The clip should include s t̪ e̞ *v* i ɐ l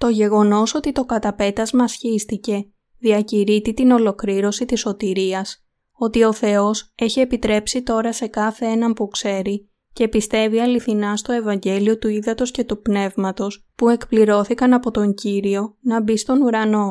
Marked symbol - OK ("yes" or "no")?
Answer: yes